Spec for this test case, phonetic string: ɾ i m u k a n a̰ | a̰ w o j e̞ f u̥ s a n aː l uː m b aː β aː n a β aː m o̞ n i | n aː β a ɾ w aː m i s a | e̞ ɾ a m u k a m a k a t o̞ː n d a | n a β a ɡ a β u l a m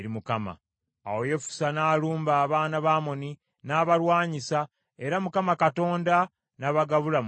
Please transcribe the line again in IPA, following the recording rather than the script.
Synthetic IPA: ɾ i m u k a m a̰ | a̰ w o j e̞ f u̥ s a n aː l uː m b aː β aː n a β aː m o̞ n i | n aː β a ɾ w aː ɲ i s a | e̞ ɾ a m u k a m a k a t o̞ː n d a | n a β a ɡ a β u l a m